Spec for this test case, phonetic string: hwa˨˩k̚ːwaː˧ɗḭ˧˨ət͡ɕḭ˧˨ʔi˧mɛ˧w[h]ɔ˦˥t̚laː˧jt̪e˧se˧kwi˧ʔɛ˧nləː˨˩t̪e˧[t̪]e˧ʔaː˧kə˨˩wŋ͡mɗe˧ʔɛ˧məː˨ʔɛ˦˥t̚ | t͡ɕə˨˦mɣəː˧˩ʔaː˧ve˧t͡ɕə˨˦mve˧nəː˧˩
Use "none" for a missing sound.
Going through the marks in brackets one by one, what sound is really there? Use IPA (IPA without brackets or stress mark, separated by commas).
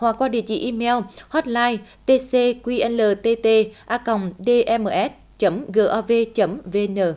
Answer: h, t̪